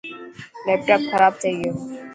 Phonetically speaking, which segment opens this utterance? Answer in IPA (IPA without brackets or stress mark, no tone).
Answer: l